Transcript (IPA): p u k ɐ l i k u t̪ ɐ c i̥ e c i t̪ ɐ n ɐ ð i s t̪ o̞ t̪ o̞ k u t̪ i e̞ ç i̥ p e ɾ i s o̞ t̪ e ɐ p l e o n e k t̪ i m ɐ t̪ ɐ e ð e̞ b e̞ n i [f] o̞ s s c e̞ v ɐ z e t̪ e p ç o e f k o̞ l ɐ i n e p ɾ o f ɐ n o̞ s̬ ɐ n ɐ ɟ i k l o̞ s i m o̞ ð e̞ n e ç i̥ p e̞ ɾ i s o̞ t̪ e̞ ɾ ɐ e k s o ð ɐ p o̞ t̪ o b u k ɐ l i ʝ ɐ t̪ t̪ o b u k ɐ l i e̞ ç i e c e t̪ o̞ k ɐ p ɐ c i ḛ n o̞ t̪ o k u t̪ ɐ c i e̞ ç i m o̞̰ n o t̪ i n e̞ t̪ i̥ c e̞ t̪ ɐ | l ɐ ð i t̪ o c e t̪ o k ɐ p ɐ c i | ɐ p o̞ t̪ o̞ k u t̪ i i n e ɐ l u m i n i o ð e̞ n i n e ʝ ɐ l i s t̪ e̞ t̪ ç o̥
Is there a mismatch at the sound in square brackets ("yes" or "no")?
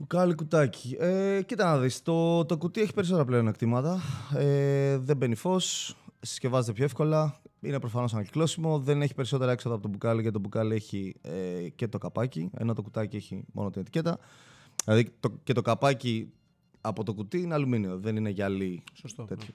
no